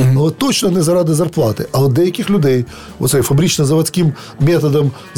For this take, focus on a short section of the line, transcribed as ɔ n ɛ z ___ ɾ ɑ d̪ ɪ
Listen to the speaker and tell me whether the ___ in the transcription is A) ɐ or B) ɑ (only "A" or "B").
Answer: A